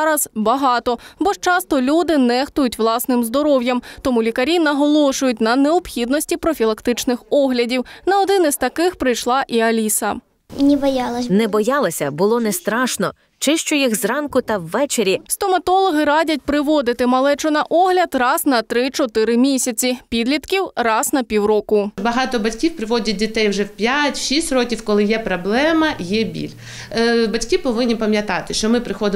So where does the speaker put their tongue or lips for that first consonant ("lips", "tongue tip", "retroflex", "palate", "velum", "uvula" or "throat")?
tongue tip